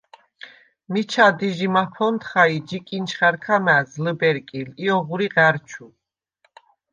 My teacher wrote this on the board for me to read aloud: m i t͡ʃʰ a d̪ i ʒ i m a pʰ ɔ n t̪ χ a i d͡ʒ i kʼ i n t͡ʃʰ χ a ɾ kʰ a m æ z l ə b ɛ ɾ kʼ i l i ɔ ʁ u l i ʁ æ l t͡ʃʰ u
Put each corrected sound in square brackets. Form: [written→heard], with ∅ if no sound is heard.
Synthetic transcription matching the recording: m i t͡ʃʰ a d̪ i ʒ i m a pʰ ɔ n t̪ χ a i d͡ʒ i kʼ i n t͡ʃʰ χ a ɾ kʰ a m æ z l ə b ɛ ɾ kʼ i l i ɔ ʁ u [l→ɾ] i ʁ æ [l→ɾ] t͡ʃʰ u

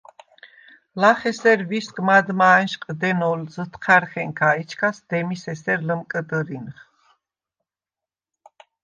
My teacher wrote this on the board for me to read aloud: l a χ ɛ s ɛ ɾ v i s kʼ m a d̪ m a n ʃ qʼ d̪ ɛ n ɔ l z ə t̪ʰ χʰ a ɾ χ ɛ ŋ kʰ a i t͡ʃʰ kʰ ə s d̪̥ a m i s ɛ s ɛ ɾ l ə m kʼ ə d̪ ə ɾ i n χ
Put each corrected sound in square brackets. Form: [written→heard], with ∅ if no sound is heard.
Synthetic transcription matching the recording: l a χ ɛ s ɛ ɾ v i s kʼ m a d̪ m a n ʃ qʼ d̪ ɛ n ɔ l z ə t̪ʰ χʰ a ɾ χ ɛ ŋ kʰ a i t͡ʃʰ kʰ [ə→a] s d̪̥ [a→ɛ] m i s ɛ s ɛ ɾ l ə m kʼ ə d̪ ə ɾ i n χ

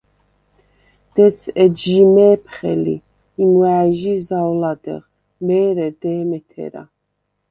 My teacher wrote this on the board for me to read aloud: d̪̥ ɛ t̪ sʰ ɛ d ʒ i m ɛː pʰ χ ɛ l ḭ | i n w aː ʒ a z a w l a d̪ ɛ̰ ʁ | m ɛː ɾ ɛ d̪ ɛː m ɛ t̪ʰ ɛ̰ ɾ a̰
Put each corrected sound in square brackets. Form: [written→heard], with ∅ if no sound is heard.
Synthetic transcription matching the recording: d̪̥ ɛ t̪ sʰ ɛ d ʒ i m ɛː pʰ χ ɛ l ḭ | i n w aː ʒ [a→i] z a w l a d̪ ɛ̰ ʁ | m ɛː ɾ ɛ d̪ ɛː m ɛ t̪ʰ ɛ̰ ɾ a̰

